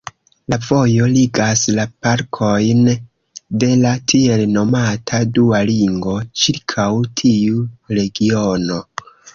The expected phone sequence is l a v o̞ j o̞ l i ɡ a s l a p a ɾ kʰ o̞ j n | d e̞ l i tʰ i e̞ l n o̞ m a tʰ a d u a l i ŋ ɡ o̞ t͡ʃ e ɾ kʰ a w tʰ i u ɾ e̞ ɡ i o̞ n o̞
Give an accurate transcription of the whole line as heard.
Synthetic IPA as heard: l a v o̞ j o̞ l i ɡ a s l a p a ɾ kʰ o̞ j n | d e̞ l a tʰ i e̞ l n o̞ m a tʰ a d u a l i ŋ ɡ o̞ t͡ʃ i ɾ kʰ a w tʰ i u ɾ e̞ ɡ i o̞ n o̞